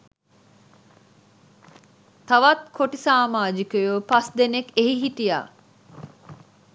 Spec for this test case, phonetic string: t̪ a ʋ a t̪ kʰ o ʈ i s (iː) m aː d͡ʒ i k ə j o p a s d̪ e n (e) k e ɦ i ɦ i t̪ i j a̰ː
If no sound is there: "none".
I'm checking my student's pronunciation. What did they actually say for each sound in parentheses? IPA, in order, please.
aː, e

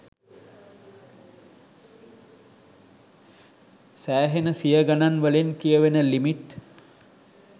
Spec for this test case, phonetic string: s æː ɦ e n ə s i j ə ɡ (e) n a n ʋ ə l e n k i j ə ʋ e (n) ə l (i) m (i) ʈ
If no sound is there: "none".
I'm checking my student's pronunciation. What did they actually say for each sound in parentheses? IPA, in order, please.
a, n, i, i

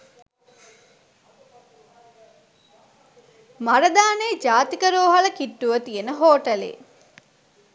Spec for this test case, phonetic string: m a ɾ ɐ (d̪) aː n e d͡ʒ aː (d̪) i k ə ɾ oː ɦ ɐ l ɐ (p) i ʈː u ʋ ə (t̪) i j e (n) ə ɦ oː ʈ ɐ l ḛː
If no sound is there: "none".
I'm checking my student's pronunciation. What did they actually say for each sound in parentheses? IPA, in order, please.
d̪, t̪, k, t̪, n

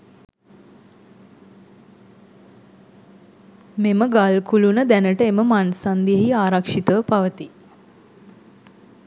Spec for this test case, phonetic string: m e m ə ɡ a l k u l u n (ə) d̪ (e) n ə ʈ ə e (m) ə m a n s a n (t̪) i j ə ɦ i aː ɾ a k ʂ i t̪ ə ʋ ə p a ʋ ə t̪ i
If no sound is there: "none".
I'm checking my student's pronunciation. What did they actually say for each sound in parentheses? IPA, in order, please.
ə, æ, m, d̪

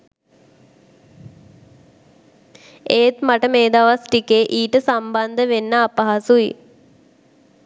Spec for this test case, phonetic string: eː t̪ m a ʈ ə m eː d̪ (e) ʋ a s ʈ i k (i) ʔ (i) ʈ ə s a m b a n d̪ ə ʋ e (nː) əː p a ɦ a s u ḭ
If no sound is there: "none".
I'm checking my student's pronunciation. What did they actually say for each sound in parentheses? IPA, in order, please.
a, e, iː, nː

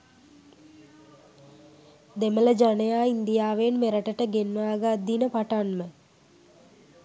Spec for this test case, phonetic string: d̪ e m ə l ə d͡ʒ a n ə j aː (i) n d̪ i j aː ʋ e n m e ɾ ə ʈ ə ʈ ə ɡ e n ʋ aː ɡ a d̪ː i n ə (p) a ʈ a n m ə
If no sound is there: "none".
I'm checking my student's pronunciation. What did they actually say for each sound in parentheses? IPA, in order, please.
i, p

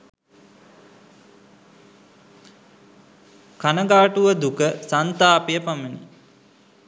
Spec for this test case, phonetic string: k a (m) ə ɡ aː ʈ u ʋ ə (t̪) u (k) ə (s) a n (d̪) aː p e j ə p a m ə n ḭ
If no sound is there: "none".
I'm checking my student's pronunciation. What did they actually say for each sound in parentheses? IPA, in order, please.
n, d̪, k, s, t̪

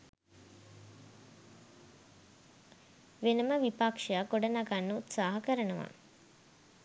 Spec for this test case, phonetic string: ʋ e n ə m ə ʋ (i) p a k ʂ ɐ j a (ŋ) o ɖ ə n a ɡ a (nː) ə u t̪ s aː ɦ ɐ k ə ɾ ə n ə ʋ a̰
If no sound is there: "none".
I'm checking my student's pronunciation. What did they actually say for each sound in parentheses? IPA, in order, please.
i, ɡ, nː

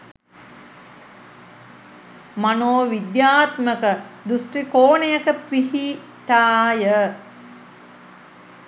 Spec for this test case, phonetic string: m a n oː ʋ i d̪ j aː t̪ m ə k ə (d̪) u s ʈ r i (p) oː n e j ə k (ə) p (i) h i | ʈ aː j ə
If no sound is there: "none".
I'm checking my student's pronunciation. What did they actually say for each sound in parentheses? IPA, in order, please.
d̪, k, ə, i

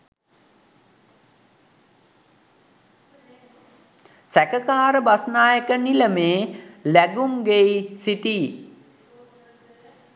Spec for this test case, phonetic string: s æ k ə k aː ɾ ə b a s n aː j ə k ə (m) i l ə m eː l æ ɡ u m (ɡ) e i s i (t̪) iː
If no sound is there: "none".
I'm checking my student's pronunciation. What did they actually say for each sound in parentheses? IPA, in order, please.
n, ɡ, t̪

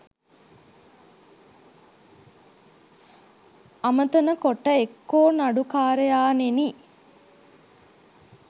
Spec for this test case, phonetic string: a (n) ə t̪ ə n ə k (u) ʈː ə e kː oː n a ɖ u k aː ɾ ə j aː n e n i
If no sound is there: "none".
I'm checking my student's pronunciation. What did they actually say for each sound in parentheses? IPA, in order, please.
m, o

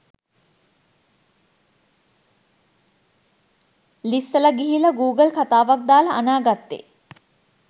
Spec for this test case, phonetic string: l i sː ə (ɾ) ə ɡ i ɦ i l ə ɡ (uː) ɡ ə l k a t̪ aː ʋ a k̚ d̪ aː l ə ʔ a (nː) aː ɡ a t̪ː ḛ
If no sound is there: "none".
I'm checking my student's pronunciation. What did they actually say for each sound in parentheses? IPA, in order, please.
l, uː, n

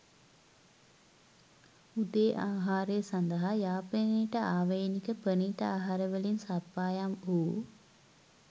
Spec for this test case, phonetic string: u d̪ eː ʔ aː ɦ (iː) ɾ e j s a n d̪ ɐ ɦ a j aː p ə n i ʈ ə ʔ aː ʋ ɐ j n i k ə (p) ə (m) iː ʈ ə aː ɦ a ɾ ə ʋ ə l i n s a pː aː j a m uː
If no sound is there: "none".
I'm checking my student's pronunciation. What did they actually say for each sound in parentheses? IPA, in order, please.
aː, p, n

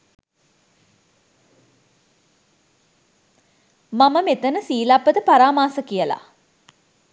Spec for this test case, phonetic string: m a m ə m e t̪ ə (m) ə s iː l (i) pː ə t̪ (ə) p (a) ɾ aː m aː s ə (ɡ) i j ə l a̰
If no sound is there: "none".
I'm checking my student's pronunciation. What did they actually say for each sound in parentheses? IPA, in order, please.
n, a, ə, a, k

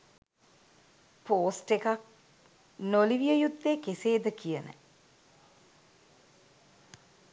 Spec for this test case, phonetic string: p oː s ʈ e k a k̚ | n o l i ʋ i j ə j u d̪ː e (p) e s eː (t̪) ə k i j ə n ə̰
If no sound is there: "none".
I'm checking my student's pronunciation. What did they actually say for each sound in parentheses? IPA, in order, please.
k, d̪

